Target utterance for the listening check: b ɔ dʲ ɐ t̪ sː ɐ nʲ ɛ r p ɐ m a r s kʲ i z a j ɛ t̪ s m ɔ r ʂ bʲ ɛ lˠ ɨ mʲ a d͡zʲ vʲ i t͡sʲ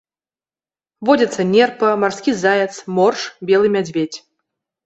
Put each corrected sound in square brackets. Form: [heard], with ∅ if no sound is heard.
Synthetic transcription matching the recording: [v] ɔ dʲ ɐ t̪ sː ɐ nʲ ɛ r p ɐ m a r s kʲ i z a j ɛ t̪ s m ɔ r ʂ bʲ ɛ lˠ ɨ mʲ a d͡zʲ vʲ [e] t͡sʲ

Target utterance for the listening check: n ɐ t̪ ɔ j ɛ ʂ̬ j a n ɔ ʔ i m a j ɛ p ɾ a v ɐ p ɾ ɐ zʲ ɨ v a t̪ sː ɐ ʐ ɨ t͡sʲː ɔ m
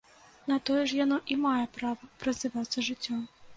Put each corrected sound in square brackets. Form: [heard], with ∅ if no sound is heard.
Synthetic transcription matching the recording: n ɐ t̪ ɔ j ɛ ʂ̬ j a n ɔ ʔ i m a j ɛ p ɾ a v ɐ p ɾ ɐ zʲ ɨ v a t̪ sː ɐ ʐ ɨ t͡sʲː ɔ m

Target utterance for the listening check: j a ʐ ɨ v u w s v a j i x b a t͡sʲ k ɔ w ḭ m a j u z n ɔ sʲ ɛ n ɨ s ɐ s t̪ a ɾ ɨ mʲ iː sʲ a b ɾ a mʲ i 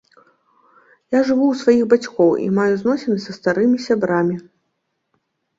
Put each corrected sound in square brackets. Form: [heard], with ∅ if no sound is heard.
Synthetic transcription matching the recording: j a ʐ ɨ v u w s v a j i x b a t͡sʲ k ɔ w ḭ m a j u z n ɔ sʲ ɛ n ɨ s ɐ s t̪ a ɾ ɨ mʲ [i] sʲ a b ɾ a mʲ i

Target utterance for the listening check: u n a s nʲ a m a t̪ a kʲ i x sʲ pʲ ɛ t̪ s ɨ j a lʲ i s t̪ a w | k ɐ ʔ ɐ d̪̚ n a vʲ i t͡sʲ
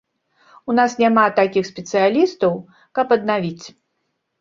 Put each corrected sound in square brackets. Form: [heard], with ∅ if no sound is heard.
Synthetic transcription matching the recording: u n a s nʲ a m a t̪ a kʲ i x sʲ pʲ ɛ t̪ s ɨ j a lʲ i s t̪ [ɐ] w | k ɐ [p] ɐ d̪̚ n a vʲ i t͡sʲ

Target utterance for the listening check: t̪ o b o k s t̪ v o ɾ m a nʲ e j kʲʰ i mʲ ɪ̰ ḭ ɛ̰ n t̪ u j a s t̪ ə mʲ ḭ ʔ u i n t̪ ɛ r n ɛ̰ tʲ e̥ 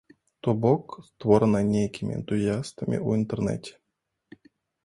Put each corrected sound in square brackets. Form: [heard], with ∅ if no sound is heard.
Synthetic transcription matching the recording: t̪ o b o k s t̪ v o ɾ [n] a nʲ e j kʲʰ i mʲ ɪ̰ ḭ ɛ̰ n t̪ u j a s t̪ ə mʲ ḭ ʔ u i n t̪ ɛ r n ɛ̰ tʲ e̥

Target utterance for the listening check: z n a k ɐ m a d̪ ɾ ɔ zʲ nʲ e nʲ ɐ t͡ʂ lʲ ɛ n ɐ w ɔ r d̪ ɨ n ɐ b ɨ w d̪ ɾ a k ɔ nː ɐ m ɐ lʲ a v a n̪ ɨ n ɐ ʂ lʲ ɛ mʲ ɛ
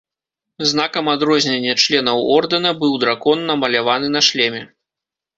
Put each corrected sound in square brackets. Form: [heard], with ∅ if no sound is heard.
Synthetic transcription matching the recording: z n a k ɐ m a d̪ ɾ ɔ zʲ nʲ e [nʲː] ɐ t͡ʂ lʲ ɛ n ɐ w ɔ r d̪ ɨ n ɐ b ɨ w d̪ ɾ a k ɔ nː ɐ m ɐ lʲ a v a n̪ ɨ n ɐ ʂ lʲ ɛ mʲ ɛ

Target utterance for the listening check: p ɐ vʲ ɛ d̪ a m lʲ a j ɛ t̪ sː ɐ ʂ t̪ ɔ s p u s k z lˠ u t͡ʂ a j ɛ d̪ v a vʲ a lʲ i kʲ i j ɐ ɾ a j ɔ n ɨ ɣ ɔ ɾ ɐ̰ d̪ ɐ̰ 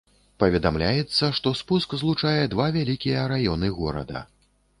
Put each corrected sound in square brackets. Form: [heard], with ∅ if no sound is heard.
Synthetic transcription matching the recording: p ɐ vʲ ɛ d̪ a m lʲ a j ɛ t̪ sː ɐ ʂ t̪ ɔ s p u s k z lˠ u t͡ʂ a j ɛ d̪ v a vʲ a lʲ i kʲ i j ɐ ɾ a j ɔ n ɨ ɣ ɔ ɾ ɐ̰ d̪ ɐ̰

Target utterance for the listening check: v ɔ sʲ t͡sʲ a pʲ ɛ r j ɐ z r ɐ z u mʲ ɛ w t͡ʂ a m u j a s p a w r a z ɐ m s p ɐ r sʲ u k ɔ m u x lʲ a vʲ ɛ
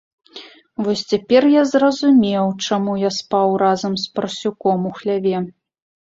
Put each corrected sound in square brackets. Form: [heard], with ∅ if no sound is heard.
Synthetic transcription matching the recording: v ɔ sʲ t͡sʲ a pʲ ɛ r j [a] z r ɐ z u mʲ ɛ w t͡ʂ a m u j a s p a w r a z ɐ m s p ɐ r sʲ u k ɔ m u x lʲ a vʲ ɛ

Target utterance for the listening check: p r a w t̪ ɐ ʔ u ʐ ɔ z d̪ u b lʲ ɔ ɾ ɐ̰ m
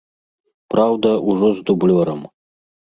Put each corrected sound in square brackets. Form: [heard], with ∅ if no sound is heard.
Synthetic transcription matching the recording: p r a w [d̪] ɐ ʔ u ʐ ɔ z d̪ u b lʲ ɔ ɾ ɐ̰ m

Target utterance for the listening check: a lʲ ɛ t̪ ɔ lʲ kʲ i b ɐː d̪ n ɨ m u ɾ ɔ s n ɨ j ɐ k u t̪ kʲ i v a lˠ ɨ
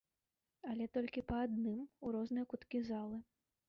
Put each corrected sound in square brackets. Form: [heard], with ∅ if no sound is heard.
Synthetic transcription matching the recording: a lʲ ɛ t̪ ɔ lʲ kʲ i [p] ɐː d̪ n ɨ m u ɾ ɔ [z] n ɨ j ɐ k u t̪ kʲ i [z] a lˠ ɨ

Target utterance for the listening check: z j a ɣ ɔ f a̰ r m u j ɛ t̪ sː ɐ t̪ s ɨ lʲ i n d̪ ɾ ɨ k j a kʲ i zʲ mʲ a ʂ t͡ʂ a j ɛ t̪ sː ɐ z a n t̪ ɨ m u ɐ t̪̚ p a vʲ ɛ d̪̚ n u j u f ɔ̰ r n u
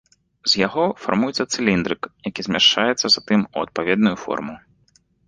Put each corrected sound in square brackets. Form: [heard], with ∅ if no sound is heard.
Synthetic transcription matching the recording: z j a ɣ ɔ f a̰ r m u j ɛ t̪ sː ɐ t̪ s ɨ lʲ i n d̪ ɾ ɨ k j a kʲ i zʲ mʲ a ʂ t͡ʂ a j ɛ t̪ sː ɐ z a [∅] t̪ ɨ m u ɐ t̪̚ p a vʲ ɛ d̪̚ n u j u f ɔ̰ r [m] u

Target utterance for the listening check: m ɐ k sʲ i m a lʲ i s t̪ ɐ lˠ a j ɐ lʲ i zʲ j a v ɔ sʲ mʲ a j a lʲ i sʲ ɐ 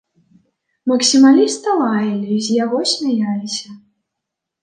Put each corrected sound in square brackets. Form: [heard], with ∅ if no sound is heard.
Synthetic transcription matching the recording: m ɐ k sʲ i m a lʲ i s t̪ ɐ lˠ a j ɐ lʲ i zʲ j a [ɣ] ɔ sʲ mʲ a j a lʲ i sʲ ɐ

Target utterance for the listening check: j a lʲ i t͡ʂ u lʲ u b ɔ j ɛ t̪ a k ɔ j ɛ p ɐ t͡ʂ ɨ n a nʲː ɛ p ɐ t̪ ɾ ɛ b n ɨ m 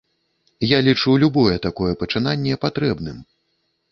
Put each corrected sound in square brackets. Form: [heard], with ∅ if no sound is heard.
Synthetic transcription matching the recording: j a lʲ i t͡ʂ u lʲ u b ɔ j ɛ t̪ a k ɔ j ɛ p ɐ t͡ʂ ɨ n a nʲː ɛ p [a] t̪ ɾ ɛ b n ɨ m

